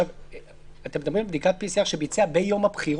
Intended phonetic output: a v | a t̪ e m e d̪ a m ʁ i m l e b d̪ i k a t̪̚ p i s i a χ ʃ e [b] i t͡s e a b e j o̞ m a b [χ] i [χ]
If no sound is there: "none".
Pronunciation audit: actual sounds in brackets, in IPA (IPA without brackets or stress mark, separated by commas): b, χ, ʁ